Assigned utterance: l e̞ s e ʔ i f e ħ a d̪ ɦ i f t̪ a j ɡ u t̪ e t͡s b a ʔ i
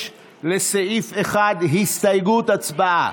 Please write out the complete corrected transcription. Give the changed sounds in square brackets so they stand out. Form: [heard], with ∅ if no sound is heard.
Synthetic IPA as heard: l e̞ s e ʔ i f e [χ] a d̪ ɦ i [s] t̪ a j ɡ u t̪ [a] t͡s b a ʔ [a]